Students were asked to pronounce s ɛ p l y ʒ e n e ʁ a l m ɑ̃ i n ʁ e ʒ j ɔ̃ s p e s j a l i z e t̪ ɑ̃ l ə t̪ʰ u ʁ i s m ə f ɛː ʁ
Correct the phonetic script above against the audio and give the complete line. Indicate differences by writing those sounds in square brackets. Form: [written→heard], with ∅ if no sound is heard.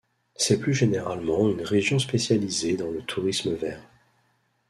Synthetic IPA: s ɛ p l y ʒ e n e ʁ a l m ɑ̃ [i→y] n ʁ e ʒ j ɔ̃ s p e s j a l i z e [t̪→d̪] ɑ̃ l ə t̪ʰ u ʁ i s m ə [f→v] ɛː ʁ